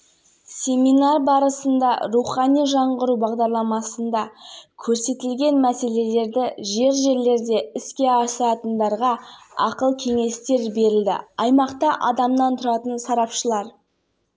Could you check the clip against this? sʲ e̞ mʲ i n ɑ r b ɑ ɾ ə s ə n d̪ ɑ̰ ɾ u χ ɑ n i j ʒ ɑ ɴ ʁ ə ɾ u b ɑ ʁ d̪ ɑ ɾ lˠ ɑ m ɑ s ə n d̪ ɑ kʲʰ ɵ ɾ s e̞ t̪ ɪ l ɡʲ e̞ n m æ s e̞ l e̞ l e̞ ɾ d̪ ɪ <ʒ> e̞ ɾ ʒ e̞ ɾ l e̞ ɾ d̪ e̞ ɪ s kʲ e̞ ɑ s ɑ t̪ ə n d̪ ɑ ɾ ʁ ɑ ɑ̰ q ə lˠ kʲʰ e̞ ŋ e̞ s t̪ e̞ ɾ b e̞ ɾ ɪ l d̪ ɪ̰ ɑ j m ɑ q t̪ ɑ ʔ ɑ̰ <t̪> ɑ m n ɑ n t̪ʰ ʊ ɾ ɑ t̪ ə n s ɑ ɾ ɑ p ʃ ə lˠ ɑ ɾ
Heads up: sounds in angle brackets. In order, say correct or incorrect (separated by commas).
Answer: correct, incorrect